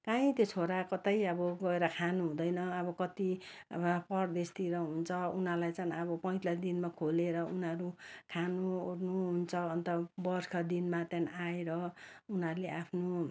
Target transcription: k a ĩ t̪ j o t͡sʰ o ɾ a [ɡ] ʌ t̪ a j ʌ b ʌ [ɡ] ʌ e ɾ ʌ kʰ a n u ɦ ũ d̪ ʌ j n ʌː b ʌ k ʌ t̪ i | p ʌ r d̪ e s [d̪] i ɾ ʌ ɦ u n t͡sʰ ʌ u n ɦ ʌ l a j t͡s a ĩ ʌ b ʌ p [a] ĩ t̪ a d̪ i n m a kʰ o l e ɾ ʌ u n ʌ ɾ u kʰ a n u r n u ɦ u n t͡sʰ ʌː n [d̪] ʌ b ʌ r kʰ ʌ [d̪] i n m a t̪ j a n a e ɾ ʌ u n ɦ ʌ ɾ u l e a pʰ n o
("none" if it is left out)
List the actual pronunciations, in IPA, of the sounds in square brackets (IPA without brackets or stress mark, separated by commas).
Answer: k, ɡ, t̪, ʌ, t̪, d̪